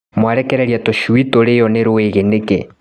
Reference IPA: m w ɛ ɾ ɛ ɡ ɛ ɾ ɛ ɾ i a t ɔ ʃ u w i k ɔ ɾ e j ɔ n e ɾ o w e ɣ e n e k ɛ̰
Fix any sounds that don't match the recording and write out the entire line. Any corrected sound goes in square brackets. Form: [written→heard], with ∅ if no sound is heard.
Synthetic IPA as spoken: m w [ɛ→a] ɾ ɛ [ɡ→k] ɛ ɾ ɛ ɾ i a t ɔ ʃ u w i [k→t] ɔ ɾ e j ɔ n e ɾ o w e ɣ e n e k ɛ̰